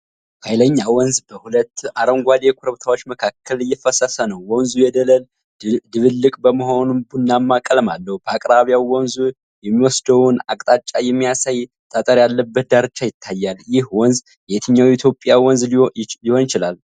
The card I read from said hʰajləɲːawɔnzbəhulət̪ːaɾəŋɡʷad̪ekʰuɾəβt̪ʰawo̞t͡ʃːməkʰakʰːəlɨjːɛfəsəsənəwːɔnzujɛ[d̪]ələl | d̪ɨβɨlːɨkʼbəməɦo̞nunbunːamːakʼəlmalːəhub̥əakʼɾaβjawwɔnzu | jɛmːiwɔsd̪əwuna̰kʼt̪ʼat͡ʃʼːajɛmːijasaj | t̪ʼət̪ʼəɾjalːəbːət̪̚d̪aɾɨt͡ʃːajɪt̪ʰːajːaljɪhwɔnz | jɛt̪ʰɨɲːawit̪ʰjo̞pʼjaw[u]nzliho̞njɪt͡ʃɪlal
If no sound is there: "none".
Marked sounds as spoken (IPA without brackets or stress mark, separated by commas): d̪, ɔ